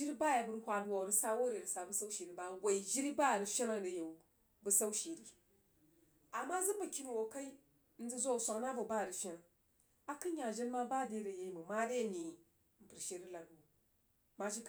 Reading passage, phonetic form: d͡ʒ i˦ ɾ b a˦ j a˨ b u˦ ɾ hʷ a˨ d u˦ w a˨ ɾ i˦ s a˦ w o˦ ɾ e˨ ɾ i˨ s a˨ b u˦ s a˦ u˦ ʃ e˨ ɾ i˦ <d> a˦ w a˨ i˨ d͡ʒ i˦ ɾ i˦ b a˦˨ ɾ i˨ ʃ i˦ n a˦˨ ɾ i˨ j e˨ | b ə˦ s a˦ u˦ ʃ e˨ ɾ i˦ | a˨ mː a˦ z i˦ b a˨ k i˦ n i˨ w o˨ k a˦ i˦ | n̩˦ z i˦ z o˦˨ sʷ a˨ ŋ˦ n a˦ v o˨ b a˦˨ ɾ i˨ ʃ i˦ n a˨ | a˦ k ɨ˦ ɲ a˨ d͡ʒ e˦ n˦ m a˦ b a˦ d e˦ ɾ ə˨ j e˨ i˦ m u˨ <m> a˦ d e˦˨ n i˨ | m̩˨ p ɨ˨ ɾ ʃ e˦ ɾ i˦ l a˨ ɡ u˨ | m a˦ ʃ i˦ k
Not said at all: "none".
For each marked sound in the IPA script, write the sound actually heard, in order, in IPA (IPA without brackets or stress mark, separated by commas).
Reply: b, m